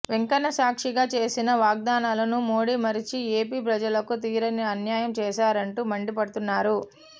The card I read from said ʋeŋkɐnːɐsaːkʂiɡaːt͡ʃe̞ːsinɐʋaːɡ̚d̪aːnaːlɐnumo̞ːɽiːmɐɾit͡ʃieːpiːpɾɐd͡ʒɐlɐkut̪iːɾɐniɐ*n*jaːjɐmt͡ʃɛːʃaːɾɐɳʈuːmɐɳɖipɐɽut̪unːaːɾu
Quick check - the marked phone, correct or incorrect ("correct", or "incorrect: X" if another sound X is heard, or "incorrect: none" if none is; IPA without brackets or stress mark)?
correct